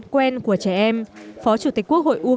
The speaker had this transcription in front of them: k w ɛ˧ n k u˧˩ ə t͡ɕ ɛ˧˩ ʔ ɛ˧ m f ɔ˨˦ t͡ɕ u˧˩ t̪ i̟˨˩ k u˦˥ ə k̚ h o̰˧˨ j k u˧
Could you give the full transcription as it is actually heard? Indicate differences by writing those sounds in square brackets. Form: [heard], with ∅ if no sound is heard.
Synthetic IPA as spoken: k w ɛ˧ n k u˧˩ ə t͡ɕ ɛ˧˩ ʔ ɛ˧ m f ɔ˨˦ t͡ɕ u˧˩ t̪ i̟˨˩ k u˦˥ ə k̚ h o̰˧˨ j [ʔ] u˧